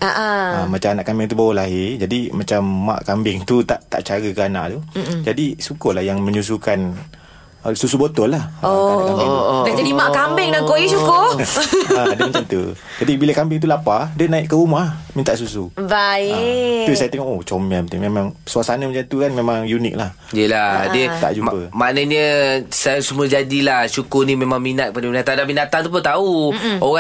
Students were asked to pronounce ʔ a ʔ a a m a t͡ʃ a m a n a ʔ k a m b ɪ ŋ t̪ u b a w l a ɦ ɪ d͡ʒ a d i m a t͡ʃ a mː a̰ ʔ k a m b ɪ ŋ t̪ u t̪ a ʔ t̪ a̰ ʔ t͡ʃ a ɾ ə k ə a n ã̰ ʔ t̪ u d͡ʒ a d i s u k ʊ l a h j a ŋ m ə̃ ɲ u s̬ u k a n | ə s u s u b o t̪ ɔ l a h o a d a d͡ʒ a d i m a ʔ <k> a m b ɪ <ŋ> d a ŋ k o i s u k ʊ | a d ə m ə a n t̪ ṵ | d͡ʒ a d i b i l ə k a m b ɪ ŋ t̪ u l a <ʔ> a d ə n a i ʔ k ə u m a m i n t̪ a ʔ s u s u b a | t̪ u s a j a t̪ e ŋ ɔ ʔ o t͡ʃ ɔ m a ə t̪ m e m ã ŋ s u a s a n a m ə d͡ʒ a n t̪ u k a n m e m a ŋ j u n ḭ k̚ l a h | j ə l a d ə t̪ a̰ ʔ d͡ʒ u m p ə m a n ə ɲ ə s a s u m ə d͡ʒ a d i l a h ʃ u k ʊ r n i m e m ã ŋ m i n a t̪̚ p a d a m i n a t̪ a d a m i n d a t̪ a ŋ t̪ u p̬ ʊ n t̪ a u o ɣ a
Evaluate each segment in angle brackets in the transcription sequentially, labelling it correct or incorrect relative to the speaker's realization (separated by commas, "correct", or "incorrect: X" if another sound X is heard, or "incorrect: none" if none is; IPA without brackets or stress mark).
correct, correct, incorrect: p